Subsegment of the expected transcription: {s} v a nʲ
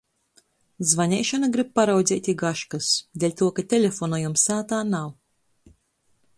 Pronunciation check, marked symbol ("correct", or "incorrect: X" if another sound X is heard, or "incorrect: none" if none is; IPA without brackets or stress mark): incorrect: z